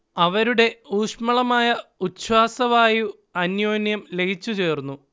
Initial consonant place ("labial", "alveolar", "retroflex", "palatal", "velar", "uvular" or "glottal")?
labial